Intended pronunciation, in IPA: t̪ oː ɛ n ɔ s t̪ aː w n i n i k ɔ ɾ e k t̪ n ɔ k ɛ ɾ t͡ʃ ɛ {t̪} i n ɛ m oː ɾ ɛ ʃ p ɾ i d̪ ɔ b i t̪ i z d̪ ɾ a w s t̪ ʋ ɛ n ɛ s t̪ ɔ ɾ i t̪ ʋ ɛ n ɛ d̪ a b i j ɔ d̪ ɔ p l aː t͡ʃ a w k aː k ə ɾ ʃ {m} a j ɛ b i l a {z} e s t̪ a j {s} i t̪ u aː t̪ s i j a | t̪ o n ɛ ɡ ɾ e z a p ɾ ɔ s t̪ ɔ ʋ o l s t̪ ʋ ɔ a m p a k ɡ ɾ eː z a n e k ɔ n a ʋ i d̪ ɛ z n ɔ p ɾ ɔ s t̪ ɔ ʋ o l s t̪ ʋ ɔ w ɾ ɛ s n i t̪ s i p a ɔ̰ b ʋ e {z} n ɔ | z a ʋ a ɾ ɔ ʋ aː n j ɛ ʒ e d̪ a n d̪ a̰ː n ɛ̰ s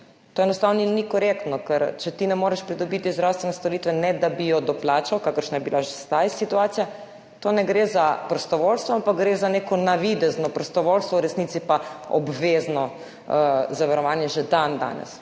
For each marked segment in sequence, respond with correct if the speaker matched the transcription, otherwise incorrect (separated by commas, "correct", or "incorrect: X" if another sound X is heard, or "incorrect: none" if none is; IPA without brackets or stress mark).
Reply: correct, incorrect: n, incorrect: ʒ, correct, correct